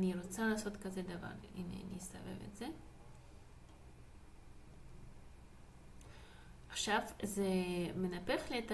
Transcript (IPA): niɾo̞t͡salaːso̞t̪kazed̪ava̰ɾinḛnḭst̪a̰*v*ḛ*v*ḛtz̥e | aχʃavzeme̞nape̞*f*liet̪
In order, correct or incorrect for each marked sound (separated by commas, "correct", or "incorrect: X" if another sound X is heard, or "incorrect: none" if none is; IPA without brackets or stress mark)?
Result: correct, correct, incorrect: χ